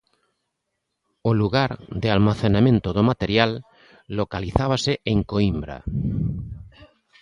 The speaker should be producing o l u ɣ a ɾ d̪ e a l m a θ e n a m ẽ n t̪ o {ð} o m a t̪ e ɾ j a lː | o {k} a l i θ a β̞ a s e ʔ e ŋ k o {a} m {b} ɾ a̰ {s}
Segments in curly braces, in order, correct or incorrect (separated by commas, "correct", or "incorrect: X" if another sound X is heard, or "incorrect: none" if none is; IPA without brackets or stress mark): correct, correct, incorrect: i, correct, incorrect: none